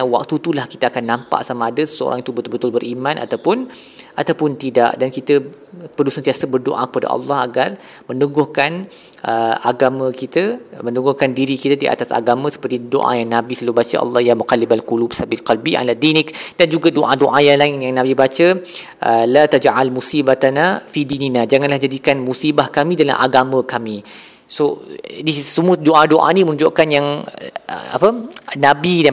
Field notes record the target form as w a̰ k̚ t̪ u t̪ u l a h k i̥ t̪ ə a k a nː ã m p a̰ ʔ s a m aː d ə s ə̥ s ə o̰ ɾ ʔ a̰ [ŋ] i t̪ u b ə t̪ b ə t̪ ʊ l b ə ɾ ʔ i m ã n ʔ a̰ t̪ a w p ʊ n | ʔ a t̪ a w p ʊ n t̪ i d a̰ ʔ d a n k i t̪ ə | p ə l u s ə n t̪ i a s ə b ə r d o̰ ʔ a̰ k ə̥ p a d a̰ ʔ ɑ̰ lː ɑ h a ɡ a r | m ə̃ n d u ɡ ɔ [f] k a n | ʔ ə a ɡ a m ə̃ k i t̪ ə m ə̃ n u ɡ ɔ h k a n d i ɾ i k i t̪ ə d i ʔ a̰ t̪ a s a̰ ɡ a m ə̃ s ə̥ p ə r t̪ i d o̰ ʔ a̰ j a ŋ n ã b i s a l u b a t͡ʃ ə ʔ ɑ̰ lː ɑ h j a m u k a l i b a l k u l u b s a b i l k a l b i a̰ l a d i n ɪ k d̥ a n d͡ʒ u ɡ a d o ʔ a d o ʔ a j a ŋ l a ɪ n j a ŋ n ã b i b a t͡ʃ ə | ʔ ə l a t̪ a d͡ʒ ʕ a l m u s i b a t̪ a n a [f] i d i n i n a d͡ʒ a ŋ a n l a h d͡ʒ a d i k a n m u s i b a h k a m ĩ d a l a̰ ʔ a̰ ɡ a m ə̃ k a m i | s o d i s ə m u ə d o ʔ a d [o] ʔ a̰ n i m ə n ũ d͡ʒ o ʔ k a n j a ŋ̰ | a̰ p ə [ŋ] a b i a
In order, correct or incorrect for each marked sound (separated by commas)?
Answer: correct, incorrect, correct, correct, incorrect